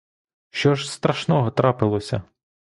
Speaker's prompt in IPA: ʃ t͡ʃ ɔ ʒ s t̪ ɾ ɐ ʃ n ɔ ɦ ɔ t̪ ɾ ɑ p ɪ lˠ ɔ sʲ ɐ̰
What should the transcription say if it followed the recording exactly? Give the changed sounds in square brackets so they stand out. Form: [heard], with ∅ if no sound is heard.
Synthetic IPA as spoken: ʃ t͡ʃ ɔ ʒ s t̪ ɾ ɐ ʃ n ɔ ɦ ɔ t̪ ɾ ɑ p ɪ lˠ ɔ sʲ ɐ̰